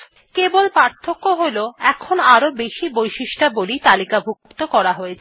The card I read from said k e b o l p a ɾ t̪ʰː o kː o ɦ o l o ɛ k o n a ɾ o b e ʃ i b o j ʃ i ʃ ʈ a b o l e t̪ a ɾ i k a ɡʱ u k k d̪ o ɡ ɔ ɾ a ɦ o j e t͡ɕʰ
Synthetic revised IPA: k e b o l p a ɾ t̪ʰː o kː o ɦ o l o ɛ kʰ o n a ɾ o b e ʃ i b o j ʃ i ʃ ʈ a b o l i t̪ a l i k a bʱ u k k t̪ o k ɔ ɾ a ɦ o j e t͡ɕʰ